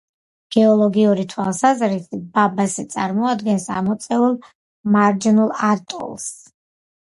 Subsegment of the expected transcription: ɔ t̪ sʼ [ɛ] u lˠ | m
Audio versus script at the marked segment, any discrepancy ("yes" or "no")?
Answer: no